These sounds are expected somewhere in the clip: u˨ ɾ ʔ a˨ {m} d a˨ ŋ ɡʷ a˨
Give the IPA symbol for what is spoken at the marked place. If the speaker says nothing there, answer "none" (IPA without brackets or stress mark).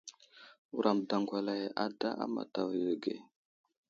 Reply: m